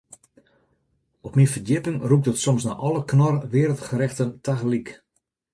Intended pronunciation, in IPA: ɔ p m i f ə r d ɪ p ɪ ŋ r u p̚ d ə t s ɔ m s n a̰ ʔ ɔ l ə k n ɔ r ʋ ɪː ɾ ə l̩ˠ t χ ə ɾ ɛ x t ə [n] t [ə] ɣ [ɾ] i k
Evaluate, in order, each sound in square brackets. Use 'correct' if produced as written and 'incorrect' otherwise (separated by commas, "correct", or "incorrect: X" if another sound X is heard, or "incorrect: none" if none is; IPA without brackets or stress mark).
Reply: correct, incorrect: a, incorrect: l